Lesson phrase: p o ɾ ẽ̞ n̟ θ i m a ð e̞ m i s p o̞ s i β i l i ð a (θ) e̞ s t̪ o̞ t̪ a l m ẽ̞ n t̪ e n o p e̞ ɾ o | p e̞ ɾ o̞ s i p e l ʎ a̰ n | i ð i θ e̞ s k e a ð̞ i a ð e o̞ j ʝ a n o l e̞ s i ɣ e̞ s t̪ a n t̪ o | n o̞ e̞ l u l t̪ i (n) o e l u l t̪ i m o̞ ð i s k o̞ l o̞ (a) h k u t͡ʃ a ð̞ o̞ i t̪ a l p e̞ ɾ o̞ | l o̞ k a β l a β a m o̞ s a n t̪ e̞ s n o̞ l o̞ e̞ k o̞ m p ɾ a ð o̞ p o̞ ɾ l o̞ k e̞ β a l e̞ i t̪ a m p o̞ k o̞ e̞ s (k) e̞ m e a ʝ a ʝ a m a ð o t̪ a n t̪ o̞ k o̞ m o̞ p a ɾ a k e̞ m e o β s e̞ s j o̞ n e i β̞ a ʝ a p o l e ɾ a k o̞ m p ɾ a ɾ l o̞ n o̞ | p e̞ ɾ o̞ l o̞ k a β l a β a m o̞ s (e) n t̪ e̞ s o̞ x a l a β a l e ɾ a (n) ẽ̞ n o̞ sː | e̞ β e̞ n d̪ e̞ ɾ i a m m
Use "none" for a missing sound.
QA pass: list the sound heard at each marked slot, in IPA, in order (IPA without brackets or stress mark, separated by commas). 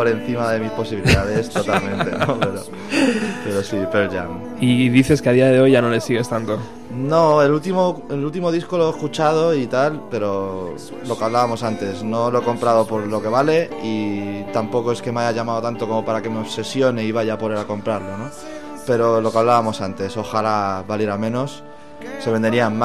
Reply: ð, m, e, k, a, m